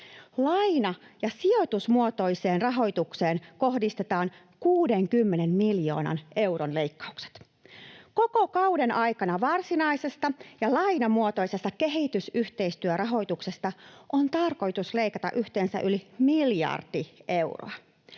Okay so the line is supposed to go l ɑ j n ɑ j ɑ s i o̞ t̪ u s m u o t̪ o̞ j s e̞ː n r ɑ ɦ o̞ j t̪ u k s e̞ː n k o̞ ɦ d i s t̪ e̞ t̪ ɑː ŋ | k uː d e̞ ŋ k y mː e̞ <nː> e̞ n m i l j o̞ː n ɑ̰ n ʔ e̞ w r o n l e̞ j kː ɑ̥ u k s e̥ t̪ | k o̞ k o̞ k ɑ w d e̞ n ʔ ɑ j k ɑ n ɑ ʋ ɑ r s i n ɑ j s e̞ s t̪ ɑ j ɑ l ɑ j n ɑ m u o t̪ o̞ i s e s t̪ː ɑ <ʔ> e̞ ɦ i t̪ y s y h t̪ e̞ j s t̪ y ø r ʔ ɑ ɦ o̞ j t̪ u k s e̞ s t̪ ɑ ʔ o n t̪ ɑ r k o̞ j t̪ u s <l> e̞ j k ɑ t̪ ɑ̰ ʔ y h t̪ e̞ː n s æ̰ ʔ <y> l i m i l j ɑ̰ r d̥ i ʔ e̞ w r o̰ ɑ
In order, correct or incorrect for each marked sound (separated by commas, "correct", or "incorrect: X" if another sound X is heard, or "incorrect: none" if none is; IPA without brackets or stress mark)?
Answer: incorrect: n, incorrect: k, correct, correct